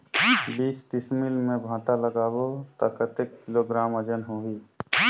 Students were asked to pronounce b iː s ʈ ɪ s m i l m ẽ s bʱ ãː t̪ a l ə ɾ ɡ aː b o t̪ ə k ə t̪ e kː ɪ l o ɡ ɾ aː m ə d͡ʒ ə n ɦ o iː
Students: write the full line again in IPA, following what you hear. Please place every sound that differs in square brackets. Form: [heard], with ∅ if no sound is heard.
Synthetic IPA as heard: b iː s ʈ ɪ s m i l m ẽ [∅] bʱ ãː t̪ a l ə [∅] ɡ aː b o t̪ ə k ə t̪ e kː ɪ l o ɡ ɾ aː m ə d͡ʒ ə n ɦ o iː